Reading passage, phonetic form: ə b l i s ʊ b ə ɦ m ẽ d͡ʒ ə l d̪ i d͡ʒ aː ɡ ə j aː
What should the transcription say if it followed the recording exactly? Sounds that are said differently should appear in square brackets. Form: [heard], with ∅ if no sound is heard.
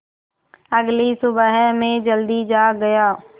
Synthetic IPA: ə [ɡ] l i s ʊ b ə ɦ m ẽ d͡ʒ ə l d̪ i d͡ʒ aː ɡ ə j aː